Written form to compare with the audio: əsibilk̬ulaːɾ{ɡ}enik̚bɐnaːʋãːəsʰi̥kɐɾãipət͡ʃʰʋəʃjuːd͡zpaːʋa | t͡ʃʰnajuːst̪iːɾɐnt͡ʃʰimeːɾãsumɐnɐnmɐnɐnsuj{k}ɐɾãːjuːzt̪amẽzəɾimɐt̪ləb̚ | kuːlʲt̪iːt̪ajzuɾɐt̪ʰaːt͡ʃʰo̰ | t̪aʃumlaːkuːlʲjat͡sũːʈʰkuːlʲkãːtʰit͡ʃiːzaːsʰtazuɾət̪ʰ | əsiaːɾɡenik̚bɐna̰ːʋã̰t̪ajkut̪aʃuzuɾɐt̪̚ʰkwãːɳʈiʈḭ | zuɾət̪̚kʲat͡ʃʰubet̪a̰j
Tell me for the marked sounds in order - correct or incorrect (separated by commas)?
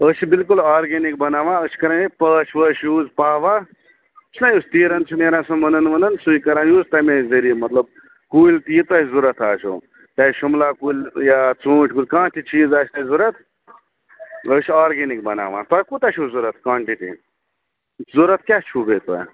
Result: correct, correct